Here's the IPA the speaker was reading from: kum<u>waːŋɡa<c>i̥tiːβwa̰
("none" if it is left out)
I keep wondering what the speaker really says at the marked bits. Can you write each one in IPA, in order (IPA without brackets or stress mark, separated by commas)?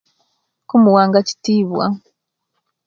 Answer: u, c